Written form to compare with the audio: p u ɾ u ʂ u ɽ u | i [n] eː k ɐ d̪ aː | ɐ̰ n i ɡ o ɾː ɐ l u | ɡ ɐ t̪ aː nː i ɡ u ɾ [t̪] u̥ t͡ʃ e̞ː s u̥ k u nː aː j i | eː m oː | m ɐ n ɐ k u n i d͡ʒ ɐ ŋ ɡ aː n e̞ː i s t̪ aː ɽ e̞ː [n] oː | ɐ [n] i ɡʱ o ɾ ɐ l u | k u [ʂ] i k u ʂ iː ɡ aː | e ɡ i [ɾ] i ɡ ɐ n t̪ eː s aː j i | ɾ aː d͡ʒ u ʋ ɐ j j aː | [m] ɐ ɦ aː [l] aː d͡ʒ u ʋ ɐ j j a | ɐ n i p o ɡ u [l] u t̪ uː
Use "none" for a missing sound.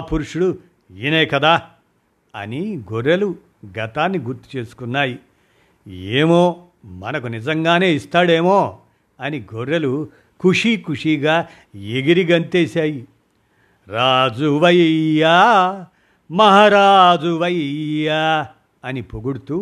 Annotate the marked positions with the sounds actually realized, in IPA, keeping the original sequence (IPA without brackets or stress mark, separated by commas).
n, t̪, m, n, ʂ, ɾ, m, ɾ, ɽ